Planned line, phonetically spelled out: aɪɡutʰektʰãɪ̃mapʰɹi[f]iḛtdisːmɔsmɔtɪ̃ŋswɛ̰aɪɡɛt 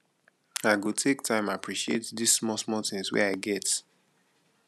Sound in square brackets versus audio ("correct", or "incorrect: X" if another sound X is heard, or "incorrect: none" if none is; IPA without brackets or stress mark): incorrect: ʃ